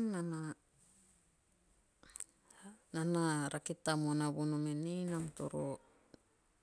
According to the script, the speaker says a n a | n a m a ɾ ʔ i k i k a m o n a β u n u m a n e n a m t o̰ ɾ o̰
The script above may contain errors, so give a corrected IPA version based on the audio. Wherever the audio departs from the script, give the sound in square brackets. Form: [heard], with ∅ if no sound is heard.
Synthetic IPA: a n a | n a [n] a ɾ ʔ [a] k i [t] a m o n a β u n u m [e] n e n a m t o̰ ɾ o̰